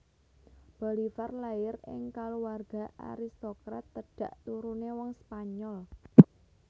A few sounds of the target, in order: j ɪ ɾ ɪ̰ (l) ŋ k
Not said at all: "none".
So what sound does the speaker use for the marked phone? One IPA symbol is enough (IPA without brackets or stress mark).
none